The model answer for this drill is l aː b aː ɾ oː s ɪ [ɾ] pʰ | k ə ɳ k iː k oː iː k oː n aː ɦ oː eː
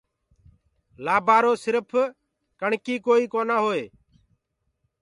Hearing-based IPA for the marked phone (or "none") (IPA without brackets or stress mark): ɾ